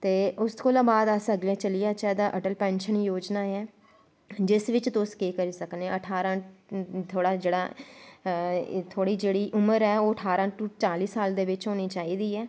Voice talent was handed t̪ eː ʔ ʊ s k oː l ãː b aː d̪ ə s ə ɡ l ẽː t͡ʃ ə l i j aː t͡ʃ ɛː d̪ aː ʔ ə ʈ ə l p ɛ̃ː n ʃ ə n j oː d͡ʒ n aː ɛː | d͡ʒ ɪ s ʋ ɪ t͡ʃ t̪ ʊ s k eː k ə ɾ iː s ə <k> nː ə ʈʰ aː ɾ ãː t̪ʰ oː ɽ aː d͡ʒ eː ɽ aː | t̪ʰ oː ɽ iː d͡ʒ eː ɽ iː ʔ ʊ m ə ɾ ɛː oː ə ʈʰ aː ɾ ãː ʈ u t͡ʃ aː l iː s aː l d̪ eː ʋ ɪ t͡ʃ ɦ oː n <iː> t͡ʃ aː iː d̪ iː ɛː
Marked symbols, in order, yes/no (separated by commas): yes, yes